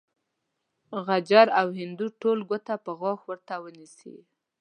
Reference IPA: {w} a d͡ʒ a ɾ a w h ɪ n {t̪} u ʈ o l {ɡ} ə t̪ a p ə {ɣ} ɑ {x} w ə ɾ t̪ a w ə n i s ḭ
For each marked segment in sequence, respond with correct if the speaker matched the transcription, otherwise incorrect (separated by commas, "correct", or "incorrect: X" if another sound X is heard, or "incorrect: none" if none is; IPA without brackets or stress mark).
incorrect: ɣ, incorrect: d̪, correct, correct, correct